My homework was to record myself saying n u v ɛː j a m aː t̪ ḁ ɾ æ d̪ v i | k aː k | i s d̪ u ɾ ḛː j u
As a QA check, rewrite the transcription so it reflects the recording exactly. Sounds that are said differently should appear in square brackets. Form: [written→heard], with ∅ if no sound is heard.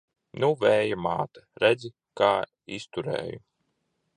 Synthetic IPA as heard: n u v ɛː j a m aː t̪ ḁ ɾ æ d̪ [v→z] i | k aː [k→∅] | i s [d̪→t̪] u ɾ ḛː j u